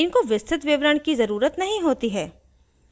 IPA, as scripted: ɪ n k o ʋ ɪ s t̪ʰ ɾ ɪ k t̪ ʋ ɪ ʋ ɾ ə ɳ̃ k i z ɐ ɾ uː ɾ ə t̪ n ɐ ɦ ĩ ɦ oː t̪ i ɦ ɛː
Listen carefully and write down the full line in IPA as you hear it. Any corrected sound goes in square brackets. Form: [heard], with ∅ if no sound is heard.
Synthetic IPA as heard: ɪ n k o ʋ ɪ s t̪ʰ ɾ ɪ [∅] t̪ ʋ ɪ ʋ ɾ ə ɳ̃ k i z ɐ ɾ uː ɾ ə t̪ n ɐ ɦ ĩ ɦ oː t̪ i ɦ ɛː